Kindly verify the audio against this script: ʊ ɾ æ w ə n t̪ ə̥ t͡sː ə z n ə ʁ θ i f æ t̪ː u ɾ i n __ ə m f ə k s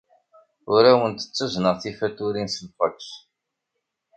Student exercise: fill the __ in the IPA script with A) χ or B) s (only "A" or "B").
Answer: B